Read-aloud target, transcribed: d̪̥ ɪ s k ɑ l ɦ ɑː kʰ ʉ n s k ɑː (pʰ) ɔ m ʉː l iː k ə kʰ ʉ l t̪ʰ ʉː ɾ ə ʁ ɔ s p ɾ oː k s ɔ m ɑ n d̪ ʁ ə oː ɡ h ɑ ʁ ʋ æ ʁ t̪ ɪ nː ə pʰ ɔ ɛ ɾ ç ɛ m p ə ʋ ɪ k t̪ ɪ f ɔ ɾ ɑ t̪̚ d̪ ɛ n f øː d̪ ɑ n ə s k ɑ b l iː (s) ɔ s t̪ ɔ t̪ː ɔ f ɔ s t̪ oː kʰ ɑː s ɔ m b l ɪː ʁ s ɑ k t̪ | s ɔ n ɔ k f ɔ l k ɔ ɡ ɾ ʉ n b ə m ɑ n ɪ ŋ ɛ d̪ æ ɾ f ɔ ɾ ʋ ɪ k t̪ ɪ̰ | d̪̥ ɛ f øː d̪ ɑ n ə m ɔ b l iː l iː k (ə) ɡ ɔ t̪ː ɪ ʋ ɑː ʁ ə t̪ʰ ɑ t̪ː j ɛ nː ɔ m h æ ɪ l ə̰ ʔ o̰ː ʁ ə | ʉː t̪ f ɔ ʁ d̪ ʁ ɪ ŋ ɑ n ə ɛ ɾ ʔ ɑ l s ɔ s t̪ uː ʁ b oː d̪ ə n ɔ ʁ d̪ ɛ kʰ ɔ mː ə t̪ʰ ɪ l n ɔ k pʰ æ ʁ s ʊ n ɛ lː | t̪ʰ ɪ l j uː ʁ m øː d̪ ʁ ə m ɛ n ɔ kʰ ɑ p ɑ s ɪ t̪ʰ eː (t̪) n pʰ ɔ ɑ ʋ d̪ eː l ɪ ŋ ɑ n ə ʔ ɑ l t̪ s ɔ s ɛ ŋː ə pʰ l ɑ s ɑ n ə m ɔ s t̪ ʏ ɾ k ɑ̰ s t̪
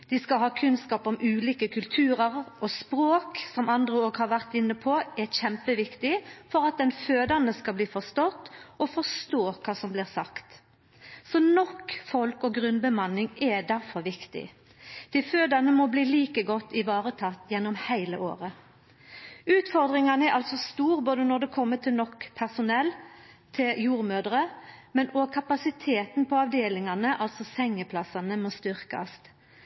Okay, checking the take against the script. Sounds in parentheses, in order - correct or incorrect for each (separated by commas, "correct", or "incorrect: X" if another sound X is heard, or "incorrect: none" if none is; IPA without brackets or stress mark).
incorrect: p, incorrect: f, correct, correct